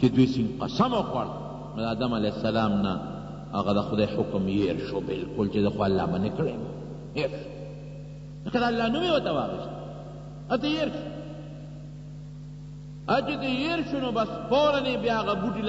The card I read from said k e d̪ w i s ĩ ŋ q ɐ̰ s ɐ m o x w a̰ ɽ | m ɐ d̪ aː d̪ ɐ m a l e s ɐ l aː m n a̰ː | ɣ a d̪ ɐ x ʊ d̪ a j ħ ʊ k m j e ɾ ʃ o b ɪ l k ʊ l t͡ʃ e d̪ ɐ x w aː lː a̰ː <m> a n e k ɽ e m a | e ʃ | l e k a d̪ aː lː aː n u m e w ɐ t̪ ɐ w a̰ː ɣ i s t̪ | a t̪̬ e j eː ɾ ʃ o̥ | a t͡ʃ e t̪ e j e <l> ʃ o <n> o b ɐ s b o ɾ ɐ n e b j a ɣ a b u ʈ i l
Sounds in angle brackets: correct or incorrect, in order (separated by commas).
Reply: correct, incorrect, correct